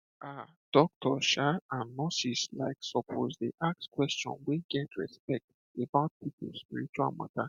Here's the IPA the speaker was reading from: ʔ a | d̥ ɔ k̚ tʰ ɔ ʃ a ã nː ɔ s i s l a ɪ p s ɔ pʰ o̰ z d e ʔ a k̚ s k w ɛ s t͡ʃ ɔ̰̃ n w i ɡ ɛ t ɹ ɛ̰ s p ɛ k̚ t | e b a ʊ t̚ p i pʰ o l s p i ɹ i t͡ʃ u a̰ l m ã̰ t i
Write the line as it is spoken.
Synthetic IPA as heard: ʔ a | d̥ ɔ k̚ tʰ ɔ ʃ a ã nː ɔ s i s l a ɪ k s ɔ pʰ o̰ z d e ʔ a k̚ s k w ɛ s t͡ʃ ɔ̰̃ n w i ɡ ɛ t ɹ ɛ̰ s p ɛ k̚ t | e b a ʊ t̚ p i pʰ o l s p i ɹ i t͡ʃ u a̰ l m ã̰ t a